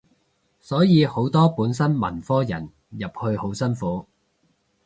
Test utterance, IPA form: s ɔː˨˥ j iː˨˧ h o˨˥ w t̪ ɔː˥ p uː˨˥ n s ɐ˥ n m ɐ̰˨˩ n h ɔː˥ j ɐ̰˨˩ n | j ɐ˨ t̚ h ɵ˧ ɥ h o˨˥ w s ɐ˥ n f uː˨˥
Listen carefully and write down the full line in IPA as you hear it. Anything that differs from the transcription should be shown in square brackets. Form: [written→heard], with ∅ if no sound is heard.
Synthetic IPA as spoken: s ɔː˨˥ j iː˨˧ h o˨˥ w t̪ ɔː˥ p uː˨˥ n s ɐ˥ n m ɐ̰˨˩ n [h→f] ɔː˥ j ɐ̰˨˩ n | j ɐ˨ [t̚→p̚] h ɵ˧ ɥ h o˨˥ w s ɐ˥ n f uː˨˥